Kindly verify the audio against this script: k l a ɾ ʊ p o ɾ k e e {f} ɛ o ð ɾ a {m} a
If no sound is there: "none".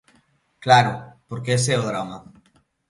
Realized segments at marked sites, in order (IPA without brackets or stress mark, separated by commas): s, m